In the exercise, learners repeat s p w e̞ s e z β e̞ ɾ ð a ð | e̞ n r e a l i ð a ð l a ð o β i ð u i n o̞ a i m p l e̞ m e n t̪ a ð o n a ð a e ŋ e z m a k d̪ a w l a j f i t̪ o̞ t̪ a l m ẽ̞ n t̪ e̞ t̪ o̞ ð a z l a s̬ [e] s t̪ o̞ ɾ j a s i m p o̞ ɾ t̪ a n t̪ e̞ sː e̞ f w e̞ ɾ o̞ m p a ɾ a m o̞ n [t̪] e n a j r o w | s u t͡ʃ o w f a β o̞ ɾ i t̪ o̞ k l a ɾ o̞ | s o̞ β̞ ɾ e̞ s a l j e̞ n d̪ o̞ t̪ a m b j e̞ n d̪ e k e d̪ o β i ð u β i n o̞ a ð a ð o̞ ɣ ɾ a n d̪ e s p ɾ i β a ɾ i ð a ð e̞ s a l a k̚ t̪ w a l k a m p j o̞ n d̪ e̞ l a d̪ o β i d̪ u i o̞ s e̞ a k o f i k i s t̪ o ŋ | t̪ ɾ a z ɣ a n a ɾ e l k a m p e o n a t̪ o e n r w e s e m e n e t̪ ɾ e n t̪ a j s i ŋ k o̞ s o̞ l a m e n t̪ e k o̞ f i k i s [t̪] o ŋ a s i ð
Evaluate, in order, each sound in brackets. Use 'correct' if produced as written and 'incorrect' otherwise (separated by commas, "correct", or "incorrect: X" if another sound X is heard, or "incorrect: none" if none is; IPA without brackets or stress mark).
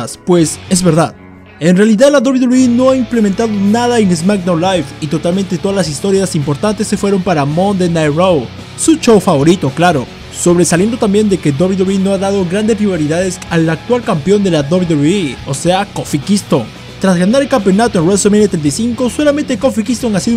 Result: incorrect: i, incorrect: d̪, correct